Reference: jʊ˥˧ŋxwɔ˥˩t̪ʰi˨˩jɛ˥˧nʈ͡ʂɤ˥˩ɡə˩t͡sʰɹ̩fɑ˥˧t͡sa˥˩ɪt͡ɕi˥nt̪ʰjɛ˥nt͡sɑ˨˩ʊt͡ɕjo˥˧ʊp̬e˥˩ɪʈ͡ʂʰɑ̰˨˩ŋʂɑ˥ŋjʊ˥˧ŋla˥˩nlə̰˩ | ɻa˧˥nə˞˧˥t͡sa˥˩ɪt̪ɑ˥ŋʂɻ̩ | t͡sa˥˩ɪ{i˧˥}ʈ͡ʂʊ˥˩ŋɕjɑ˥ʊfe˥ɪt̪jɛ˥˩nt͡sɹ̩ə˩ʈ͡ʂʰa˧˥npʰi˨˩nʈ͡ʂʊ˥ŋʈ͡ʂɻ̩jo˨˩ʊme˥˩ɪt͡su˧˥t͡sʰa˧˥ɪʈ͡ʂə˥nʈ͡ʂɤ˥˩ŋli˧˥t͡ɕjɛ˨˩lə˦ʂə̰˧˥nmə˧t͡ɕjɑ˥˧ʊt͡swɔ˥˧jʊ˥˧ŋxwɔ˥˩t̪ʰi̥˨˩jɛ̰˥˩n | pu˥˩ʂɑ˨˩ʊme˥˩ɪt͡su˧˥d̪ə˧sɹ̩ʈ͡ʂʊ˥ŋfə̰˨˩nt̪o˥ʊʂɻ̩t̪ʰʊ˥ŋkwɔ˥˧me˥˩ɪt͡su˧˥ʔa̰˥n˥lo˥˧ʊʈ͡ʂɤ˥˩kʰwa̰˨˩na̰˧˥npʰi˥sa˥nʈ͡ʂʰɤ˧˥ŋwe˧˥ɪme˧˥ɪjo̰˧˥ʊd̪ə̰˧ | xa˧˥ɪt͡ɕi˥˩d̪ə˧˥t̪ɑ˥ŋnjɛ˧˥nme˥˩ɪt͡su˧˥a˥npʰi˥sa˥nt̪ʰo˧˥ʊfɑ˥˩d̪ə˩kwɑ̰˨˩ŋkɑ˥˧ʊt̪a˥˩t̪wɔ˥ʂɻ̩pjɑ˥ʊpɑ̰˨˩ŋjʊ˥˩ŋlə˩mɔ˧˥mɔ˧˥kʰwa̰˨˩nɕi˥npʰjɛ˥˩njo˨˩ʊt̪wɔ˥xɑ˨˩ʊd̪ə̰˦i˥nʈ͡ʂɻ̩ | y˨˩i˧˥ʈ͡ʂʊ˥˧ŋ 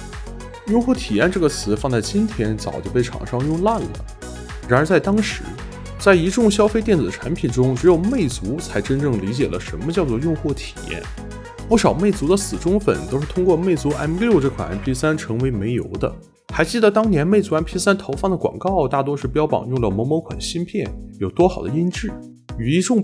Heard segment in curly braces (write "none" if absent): i˧˥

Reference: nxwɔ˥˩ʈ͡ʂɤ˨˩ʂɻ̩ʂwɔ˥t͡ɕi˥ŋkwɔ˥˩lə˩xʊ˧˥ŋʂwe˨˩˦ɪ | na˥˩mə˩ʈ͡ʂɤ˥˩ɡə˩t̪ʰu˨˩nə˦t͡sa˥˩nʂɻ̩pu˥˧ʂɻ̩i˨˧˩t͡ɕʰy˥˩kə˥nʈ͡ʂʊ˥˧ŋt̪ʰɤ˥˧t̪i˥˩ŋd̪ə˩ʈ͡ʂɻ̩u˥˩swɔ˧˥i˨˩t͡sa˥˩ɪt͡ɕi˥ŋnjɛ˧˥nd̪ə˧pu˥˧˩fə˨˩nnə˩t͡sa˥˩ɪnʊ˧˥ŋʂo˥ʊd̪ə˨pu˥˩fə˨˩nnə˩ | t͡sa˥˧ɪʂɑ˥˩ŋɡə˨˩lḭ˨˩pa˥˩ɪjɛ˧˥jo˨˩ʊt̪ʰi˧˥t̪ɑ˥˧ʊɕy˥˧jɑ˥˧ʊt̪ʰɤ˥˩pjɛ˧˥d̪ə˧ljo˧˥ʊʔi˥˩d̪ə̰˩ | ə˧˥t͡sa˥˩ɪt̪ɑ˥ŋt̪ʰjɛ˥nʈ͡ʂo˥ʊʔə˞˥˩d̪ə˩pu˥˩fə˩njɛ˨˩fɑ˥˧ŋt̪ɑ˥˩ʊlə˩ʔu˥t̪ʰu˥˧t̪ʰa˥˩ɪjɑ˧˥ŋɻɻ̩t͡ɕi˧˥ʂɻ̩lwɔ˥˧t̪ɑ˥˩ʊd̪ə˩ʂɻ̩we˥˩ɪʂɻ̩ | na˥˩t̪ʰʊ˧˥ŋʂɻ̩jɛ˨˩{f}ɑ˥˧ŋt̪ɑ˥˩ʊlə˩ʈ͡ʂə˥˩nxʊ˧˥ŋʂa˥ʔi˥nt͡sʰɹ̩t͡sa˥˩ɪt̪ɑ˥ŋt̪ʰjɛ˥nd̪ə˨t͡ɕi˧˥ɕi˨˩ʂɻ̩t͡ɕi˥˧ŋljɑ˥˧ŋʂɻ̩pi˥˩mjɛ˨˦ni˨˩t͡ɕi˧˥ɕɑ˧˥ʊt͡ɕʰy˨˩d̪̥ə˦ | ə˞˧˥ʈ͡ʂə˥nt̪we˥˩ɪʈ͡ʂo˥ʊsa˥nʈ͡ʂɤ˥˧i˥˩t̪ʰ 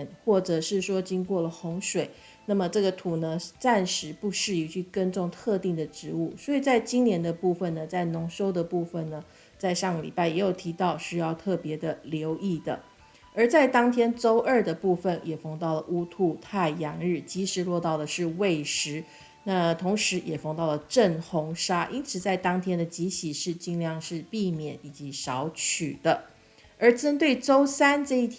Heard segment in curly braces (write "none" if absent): f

